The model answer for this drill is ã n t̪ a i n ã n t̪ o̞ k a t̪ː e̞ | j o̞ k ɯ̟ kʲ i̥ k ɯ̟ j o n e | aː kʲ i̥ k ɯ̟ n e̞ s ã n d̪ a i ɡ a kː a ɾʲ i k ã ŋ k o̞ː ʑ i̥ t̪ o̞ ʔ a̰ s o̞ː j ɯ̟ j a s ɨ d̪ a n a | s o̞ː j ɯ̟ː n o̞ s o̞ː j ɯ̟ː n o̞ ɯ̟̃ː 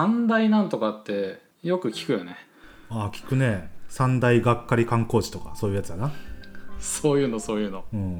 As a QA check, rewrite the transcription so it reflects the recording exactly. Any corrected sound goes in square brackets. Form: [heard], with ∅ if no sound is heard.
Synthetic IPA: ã n [d̪] a i n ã n t̪ o̞ k a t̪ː e̞ | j o̞ k ɯ̟ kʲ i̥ k ɯ̟ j o n e | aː kʲ i̥ k ɯ̟ n e̞ s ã n d̪ a i ɡ a kː a ɾʲ i k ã ŋ k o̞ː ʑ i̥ t̪ o̞ [k] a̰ s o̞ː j ɯ̟ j a [t͡s] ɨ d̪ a n a | s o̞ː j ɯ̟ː n o̞ s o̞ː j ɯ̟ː n o̞ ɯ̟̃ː